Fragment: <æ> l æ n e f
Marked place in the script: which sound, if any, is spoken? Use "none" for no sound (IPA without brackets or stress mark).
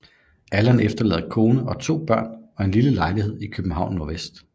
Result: æ